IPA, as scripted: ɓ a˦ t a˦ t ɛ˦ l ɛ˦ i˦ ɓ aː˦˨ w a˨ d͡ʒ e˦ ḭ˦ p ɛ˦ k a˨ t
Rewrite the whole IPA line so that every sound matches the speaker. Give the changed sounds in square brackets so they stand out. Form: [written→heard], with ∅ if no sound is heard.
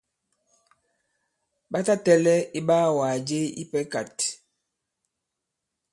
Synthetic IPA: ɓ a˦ t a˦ t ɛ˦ l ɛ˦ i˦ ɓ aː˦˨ w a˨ d͡ʒ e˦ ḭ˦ p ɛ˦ k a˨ t